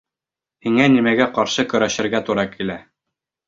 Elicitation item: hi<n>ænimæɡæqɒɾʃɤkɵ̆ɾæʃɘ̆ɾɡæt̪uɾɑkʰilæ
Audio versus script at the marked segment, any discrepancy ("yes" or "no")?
yes